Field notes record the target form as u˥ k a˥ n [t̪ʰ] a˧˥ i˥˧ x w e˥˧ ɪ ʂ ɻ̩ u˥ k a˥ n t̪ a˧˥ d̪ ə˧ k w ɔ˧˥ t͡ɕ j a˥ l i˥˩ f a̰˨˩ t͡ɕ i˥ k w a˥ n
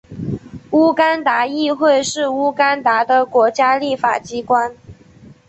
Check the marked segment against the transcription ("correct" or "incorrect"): incorrect